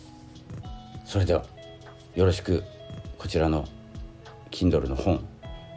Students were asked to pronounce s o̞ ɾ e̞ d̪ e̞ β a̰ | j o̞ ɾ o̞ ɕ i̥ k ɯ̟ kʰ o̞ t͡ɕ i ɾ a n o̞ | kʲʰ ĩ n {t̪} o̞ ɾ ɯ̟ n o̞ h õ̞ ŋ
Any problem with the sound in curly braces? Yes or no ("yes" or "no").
yes